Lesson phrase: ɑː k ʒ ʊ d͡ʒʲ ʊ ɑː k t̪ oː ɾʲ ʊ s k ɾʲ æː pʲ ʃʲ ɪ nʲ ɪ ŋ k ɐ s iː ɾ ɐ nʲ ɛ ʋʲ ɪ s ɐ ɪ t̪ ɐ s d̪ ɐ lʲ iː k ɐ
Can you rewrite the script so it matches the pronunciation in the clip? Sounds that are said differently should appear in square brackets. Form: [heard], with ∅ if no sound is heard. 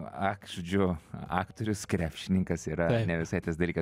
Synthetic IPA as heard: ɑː k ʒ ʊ d͡ʒʲ ʊ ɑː k t̪ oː ɾʲ ʊ s k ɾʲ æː pʲ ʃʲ ɪ nʲ ɪ ŋ k ɐ s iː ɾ ɐ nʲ ɛ ʋʲ ɪ s ɐ ɪ t̪ ɐ s d̪ ɐ lʲ iː k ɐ